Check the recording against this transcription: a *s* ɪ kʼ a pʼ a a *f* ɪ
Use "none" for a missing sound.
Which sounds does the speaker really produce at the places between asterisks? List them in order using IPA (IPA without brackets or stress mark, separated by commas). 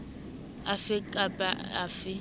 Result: f, f